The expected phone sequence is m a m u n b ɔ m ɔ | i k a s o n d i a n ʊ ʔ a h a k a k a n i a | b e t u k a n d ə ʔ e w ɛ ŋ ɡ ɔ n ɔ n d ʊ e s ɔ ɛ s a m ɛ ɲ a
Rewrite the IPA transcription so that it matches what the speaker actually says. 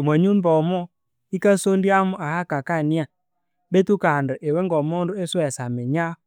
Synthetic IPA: m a ɲ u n b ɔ m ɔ | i k a s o n d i a m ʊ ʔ a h a k a k a n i a | b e t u k a n d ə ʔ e w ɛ ŋ ɡ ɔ m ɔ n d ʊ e s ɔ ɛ s a m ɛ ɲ a